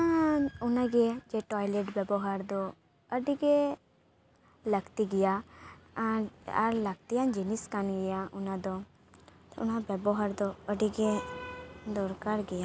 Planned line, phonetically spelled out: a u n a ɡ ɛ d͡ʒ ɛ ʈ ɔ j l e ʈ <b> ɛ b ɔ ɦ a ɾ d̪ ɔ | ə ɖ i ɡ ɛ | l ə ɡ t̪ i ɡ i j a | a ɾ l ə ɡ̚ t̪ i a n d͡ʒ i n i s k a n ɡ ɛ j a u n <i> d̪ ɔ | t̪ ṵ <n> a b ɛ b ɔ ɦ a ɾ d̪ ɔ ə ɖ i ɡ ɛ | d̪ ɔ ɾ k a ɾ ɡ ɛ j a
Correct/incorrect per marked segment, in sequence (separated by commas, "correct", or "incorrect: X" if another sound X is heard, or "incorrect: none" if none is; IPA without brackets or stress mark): correct, incorrect: a, correct